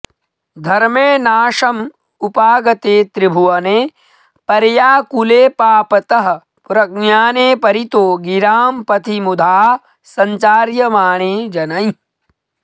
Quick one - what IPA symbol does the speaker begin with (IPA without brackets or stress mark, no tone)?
d̪ʱ